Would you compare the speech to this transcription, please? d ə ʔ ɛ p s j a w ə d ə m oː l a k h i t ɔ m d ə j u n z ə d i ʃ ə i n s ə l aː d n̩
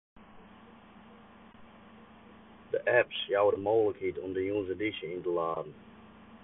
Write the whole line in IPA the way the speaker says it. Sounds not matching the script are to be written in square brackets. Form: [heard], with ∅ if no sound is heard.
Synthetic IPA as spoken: d ə ʔ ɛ p s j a w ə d ə m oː l [ə] k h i t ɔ m d ə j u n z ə d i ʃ ə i n [t] ə l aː d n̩